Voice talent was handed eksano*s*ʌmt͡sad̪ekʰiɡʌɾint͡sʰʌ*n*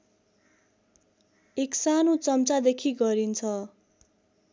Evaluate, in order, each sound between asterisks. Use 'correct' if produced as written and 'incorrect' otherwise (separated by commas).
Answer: incorrect, incorrect